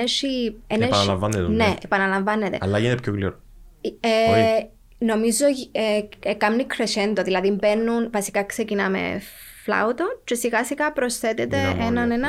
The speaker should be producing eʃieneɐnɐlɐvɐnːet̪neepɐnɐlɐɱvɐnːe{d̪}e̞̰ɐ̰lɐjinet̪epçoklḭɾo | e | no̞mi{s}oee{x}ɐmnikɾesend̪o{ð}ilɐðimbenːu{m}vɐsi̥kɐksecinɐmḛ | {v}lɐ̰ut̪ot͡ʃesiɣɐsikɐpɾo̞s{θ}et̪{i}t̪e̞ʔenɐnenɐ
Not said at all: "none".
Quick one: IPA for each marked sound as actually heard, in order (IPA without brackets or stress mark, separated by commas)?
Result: t̪, z, k, ð, n, f, θ, e